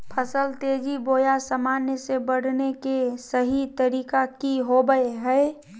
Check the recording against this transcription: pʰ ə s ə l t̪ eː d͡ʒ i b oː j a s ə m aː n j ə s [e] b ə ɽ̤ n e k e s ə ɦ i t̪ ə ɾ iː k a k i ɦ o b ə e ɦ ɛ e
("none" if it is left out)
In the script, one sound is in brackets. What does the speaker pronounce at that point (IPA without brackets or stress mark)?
e